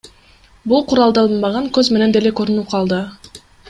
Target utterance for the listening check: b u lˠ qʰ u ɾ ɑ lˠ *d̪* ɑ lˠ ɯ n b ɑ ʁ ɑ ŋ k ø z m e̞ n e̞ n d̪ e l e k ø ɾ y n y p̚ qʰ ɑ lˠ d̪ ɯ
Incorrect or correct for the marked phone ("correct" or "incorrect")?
correct